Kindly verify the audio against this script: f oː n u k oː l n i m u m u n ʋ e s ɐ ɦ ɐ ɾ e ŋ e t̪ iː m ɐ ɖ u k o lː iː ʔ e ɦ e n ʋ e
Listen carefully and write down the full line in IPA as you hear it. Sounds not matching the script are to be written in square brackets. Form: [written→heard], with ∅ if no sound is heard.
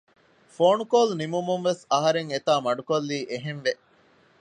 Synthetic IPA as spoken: f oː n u k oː l n i m u m u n ʋ e s ɐ ɦ ɐ ɾ e ŋ e t̪ [iː→aː] m ɐ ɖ u k o lː iː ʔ e ɦ e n ʋ e